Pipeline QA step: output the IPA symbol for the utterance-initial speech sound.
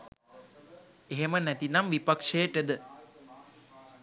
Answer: e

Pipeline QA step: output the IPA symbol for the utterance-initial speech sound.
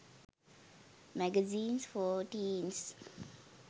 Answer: m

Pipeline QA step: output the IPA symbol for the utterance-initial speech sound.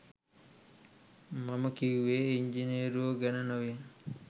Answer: m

